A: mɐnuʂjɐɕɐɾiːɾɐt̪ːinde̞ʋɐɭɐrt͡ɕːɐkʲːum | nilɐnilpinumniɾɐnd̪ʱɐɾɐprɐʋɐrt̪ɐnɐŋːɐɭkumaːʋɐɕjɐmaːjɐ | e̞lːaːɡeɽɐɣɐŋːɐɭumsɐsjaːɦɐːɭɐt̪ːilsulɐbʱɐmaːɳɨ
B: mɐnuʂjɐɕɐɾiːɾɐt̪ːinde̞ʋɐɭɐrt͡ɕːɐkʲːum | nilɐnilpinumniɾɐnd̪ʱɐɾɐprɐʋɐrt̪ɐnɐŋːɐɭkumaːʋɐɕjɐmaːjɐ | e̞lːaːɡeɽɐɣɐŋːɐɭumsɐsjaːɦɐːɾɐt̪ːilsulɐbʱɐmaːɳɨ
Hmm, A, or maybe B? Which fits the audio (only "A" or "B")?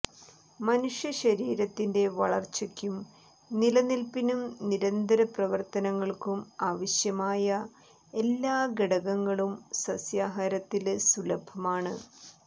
B